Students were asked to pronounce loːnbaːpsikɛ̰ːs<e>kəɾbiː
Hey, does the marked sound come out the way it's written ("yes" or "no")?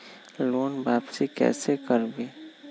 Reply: yes